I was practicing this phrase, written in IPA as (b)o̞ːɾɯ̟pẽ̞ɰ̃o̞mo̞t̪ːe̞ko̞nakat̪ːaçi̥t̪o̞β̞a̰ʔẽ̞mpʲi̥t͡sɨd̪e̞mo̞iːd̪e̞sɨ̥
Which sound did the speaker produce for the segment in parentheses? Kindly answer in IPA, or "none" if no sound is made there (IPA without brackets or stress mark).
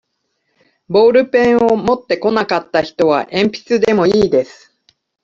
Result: b